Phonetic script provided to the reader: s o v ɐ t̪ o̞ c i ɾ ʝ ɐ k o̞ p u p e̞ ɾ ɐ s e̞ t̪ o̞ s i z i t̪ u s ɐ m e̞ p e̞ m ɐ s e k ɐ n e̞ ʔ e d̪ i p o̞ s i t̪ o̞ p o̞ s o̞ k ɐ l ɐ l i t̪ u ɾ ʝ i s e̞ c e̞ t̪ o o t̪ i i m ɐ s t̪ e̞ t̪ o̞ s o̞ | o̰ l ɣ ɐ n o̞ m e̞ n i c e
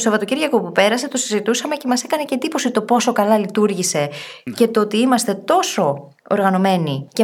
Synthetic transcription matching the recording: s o v ɐ t̪ o̞ c i ɾ ʝ ɐ k o̞ p u p e̞ ɾ ɐ s e̞ t̪ o̞ s i z i t̪ u s ɐ m e̞ c e̞ m ɐ s e k ɐ n e̞ c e d̪ i p o̞ s i t̪ o̞ p o̞ s o̞ k ɐ l ɐ l i t̪ u ɾ ʝ i s e̞ c e̞ t̪ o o t̪ i i m ɐ s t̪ e̞ t̪ o̞ s o̞ | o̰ ɾ ɣ ɐ n o̞ m e̞ n i c e